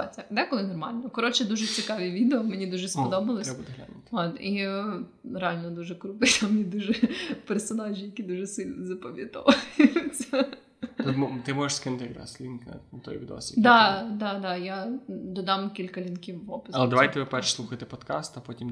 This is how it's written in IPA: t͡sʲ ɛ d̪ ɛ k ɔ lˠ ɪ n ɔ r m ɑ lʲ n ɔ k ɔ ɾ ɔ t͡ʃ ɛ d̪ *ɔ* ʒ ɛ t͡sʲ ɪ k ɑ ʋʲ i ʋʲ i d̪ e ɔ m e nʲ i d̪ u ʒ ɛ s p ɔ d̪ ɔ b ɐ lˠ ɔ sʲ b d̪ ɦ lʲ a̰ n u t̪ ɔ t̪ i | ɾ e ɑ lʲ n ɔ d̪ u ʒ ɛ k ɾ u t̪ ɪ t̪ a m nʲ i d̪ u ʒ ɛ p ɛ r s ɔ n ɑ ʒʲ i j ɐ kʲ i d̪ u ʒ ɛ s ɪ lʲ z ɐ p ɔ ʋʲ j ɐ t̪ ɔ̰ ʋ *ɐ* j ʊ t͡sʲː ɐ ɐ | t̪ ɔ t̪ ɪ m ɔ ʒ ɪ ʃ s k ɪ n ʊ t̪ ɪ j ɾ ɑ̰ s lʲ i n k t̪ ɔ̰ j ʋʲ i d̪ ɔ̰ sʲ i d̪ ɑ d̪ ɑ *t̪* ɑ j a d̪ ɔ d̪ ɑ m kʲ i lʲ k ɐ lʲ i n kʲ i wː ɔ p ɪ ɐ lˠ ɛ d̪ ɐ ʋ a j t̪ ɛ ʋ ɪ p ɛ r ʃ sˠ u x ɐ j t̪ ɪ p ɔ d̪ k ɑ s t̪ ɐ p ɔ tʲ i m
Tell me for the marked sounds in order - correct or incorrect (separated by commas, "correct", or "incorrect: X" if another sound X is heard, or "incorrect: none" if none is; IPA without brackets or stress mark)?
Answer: incorrect: u, correct, incorrect: d̪